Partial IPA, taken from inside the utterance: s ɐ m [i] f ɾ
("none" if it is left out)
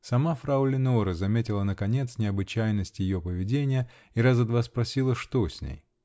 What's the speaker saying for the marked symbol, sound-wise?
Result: a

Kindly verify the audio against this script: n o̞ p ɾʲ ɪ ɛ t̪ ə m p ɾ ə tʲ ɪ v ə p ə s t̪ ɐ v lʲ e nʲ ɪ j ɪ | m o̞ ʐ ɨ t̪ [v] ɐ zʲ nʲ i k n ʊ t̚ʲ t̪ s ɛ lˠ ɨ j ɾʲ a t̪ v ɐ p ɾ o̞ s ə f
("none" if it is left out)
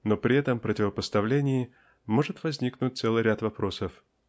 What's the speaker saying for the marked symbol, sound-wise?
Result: v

